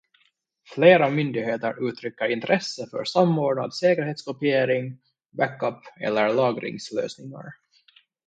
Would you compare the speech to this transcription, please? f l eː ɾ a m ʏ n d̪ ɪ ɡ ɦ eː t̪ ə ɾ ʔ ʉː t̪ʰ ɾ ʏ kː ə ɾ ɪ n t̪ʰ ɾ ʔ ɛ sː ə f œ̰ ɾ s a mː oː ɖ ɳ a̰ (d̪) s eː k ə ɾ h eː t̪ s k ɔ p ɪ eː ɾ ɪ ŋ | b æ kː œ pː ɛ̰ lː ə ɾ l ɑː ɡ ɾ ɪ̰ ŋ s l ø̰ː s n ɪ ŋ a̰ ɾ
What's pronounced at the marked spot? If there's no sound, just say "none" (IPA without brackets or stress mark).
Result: d̪